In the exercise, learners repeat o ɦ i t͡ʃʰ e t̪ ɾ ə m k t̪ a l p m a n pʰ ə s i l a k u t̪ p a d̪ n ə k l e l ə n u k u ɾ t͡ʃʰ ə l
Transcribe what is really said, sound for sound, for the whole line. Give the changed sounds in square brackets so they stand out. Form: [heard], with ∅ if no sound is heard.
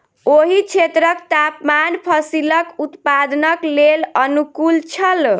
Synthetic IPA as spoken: o ɦ i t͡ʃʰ e t̪ ɾ ə [∅] k t̪ a [∅] p m a n pʰ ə s i l [ə] k u t̪ p a d̪ n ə k l e l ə n u k u [l] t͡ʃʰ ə l

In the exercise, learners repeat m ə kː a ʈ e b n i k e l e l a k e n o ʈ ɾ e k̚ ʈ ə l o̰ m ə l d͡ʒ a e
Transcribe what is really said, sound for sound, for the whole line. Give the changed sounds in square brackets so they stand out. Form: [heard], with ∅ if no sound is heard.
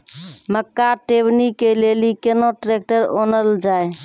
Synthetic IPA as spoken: m ə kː a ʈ e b n i k e l e l [i] k e n o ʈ ɾ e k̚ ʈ ə [ɾ] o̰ [n] ə l d͡ʒ a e

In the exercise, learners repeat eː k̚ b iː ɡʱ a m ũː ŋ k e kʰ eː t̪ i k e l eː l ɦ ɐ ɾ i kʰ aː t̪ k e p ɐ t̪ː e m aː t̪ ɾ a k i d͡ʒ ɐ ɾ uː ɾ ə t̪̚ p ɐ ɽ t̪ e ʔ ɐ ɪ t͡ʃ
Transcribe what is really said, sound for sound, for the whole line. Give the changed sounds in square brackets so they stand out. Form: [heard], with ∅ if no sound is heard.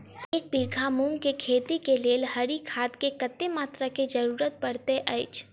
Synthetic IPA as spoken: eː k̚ b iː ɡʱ a m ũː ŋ k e kʰ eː t̪ i k e l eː l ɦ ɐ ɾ i kʰ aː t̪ k e [k] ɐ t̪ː e m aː t̪ ɾ a k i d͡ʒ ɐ ɾ uː ɾ ə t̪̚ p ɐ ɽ t̪ e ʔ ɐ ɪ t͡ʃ

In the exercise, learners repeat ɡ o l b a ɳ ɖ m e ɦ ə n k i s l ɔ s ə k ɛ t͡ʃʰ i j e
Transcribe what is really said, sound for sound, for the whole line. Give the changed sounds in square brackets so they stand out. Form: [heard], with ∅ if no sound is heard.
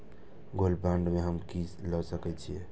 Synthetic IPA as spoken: ɡ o l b a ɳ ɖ m e ɦ ə [m] k i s l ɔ s ə k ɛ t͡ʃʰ i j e

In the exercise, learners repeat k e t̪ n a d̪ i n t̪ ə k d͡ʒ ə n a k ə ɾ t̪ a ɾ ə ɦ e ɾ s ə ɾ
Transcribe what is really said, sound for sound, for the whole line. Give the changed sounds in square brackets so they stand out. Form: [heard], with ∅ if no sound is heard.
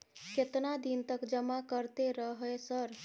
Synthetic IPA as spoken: k e t̪ n a d̪ i n t̪ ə k d͡ʒ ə [m] a k ə ɾ t̪ [e] ɾ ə ɦ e [∅] s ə ɾ

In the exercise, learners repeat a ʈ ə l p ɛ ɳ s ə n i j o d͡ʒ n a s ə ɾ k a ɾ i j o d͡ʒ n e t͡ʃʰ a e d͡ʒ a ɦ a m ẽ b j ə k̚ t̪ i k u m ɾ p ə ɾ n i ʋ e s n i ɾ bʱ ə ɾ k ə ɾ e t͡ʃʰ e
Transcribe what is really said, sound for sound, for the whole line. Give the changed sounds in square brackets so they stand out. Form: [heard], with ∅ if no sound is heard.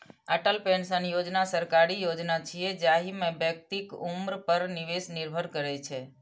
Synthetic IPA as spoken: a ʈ ə l p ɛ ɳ s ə n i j o d͡ʒ n a s ə ɾ k a ɾ i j o d͡ʒ n [a] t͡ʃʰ [i] e d͡ʒ a ɦ [i] m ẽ b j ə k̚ t̪ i k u m ɾ p ə ɾ n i ʋ e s n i ɾ bʱ ə ɾ k ə ɾ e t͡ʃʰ e

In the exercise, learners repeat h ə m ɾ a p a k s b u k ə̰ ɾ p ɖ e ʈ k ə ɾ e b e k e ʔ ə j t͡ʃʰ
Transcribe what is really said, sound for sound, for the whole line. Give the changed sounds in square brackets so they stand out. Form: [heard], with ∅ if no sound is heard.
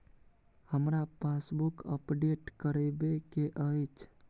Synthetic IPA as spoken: h ə m ɾ a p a [∅] s b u k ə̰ [∅] p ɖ e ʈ k ə ɾ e b e k e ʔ ə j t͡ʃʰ

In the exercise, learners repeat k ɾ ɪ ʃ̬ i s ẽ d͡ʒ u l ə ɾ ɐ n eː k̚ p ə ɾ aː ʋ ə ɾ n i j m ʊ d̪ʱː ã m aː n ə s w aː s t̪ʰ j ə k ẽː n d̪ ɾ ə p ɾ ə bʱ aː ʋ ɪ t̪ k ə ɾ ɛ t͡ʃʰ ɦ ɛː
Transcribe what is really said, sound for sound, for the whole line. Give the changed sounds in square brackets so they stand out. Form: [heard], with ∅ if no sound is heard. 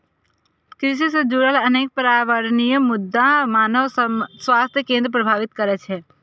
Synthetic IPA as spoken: k ɾ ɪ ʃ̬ i s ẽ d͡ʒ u [ɾ] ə [l] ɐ n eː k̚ p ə ɾ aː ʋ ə ɾ n i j m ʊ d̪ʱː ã m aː n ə s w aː s t̪ʰ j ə k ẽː n d̪ ɾ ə p ɾ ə bʱ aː ʋ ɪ t̪ k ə ɾ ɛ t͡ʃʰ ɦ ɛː

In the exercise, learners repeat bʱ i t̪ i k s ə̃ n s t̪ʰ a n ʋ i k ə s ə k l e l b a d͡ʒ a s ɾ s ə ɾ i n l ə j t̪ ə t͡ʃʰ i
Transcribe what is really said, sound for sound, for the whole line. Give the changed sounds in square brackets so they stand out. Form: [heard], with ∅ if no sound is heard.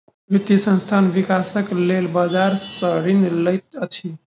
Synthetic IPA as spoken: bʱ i t̪ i [∅] s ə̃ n s t̪ʰ a n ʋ i k [a] s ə k l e l b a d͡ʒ a [∅] ɾ s ə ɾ i n l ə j t̪ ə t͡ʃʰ i

